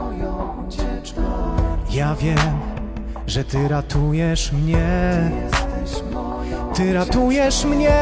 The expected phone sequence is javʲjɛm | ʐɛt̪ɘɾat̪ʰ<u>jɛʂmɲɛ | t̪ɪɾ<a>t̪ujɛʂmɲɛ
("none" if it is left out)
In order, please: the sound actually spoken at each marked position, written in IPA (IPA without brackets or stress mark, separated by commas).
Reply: u, a